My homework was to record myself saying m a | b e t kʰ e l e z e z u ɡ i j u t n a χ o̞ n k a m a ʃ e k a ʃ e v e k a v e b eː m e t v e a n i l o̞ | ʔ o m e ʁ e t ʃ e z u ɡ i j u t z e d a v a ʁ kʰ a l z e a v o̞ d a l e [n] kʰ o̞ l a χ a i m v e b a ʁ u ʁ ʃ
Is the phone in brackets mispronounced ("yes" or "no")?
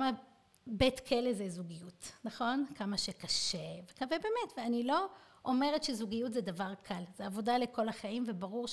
yes